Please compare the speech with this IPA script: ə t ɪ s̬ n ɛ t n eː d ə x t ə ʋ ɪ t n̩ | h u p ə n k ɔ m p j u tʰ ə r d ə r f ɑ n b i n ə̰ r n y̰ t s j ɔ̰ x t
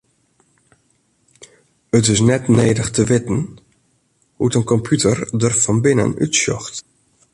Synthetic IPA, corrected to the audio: ə t ɪ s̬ n ɛ t n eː d ə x t ə ʋ ɪ t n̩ | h u t ə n k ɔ m p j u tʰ ə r d ə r f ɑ n b ɪ n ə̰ n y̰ t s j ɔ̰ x t